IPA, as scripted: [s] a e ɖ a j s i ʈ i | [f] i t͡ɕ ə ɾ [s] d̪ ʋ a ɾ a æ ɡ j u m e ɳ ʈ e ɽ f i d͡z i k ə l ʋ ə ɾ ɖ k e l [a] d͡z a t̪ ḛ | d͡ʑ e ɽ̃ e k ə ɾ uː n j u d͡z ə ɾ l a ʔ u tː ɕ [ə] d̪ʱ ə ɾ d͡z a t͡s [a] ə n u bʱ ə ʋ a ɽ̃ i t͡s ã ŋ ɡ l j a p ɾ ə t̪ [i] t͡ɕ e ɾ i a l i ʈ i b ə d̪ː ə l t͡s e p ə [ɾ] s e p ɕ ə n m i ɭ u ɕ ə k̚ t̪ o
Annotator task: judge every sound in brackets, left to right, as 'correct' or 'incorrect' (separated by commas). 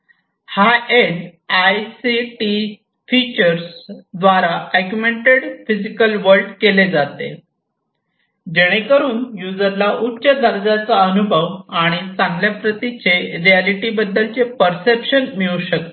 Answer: incorrect, correct, correct, incorrect, correct, correct, correct, correct